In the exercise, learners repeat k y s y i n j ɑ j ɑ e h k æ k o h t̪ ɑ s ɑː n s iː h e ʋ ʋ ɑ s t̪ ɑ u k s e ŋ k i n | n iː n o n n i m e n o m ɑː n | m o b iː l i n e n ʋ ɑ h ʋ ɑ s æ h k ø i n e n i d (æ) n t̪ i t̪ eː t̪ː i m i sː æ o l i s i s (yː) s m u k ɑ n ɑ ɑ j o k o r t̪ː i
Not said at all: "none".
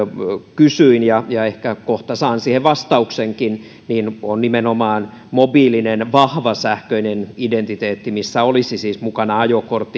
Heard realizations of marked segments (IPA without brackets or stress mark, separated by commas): e, iː